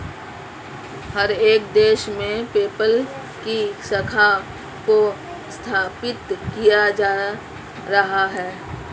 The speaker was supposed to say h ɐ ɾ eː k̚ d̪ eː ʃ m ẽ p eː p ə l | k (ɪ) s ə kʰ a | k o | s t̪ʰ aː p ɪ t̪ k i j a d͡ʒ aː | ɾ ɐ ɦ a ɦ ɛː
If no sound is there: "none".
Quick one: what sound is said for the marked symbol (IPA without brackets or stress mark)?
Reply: i